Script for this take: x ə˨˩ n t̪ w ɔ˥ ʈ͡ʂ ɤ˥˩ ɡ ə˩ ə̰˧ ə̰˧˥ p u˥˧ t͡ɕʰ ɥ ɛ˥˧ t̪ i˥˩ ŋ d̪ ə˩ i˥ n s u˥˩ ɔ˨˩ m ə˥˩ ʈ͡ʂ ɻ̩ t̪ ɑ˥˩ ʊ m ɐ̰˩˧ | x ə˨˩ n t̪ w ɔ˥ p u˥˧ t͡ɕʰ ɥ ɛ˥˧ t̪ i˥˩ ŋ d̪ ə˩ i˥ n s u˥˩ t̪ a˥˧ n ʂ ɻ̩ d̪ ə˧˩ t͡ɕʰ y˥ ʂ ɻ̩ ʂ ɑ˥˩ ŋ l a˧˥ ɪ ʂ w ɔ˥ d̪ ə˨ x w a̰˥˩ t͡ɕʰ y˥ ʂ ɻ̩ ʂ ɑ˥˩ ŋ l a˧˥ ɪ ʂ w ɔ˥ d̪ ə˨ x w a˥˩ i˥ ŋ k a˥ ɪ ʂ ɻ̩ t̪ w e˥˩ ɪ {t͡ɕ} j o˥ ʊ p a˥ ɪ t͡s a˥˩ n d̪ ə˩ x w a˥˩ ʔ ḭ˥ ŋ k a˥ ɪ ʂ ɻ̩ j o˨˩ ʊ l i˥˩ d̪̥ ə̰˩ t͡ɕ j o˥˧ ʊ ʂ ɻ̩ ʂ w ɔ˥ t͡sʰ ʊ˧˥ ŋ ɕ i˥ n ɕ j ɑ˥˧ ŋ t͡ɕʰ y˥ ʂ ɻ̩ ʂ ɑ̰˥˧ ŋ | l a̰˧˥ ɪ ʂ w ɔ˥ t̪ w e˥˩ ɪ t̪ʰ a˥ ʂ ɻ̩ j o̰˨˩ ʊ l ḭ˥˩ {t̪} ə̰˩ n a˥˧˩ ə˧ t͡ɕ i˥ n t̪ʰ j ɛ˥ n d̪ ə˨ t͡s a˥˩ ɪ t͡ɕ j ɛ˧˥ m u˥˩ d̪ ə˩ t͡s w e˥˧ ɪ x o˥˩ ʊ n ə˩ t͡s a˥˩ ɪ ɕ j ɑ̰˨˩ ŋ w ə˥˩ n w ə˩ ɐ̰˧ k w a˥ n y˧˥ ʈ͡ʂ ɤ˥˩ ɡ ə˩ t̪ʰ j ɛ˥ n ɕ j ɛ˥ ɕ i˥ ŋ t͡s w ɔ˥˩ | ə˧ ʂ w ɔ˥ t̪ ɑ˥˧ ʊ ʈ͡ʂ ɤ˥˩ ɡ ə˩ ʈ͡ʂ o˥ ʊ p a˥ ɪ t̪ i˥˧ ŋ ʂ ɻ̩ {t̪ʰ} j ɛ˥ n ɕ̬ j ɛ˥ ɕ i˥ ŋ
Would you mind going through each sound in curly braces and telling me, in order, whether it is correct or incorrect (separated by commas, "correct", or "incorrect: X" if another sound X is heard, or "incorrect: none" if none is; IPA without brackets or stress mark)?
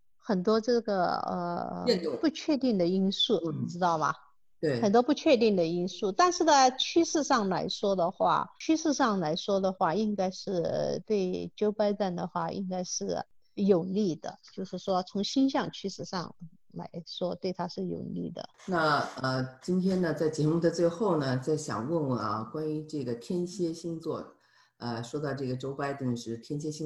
correct, incorrect: d̪, correct